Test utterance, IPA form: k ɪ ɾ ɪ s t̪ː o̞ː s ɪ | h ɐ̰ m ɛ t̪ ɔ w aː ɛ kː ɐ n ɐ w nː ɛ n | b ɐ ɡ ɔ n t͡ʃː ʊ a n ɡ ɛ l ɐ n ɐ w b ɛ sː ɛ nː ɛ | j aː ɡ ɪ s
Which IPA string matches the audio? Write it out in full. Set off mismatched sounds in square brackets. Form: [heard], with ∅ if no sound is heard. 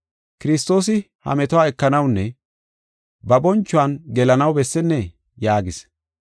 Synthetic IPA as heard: k ɪ ɾ ɪ s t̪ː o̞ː s ɪ | h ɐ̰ m ɛ t̪ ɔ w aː ɛ kː ɐ n ɐ w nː ɛ [∅] | b ɐ [b] ɔ n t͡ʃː ʊ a n ɡ ɛ l ɐ n ɐ w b ɛ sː ɛ nː ɛ | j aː ɡ ɪ s